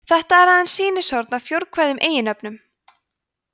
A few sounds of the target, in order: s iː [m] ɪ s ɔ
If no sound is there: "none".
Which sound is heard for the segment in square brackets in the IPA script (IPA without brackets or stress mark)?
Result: n